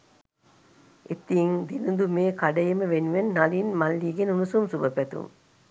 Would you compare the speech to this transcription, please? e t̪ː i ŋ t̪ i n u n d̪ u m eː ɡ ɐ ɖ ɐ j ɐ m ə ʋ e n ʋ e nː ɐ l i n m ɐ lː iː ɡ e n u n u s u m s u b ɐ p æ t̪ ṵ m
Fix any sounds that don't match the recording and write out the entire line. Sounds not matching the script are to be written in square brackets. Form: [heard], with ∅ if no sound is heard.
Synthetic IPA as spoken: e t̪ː i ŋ [d̪] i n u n d̪ u m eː [k] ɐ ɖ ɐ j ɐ m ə ʋ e n ʋ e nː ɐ l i n m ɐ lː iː ɡ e n u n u s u m s u b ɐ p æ t̪ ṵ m